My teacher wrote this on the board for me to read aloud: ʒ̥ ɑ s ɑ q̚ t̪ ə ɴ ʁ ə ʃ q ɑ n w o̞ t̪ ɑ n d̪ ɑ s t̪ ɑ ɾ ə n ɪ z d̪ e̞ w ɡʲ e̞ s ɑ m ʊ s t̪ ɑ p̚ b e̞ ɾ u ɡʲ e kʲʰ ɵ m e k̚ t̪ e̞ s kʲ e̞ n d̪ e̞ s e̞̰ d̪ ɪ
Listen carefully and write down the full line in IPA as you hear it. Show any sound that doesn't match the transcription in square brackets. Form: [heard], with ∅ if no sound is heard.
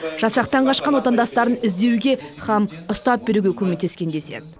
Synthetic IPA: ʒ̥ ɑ s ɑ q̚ t̪ [ɑ] ɴ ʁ [ɑ] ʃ q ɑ n w o̞ t̪ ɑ n d̪ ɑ s t̪ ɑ ɾ ə n ɪ z d̪ e̞ w ɡʲ e̞ [χ] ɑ m ʊ s t̪ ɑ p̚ b e̞ ɾ u ɡʲ e kʲʰ ɵ m e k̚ t̪ e̞ s kʲ e̞ n d̪ e̞ s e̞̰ d̪ ɪ